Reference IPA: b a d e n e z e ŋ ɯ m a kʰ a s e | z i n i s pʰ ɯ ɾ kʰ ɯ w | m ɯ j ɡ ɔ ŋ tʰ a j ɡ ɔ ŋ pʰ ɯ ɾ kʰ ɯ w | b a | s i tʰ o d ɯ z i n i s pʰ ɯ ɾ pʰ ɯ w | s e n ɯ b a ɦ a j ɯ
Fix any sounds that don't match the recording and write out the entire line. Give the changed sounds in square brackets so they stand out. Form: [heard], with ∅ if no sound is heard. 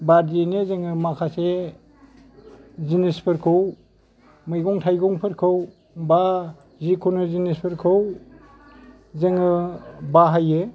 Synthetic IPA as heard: b a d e n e z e ŋ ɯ m a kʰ a s e | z i n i s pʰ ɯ ɾ kʰ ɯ w | m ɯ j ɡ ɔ ŋ tʰ a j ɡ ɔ ŋ pʰ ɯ ɾ kʰ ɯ w | b a | [z] i [kʰ] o [n] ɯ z i n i s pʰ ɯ ɾ [kʰ] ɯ w | [z] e [ŋ] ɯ b a ɦ a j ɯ